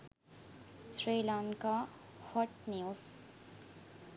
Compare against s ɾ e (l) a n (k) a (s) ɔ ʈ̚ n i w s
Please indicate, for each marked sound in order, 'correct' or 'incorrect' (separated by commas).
correct, correct, incorrect